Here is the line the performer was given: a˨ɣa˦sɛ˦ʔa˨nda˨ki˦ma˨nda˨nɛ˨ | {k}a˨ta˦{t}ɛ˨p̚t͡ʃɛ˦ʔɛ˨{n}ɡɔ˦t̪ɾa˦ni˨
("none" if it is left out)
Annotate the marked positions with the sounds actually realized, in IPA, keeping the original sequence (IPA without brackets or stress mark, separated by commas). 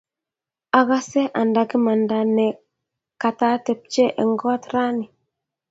k, t, ŋ